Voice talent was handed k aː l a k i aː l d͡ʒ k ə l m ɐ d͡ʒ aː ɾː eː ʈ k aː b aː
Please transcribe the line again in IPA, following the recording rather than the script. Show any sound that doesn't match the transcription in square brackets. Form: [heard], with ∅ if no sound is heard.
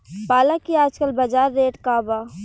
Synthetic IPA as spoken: [p] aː l a k i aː [∅] d͡ʒ k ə l [b] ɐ d͡ʒ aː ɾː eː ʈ k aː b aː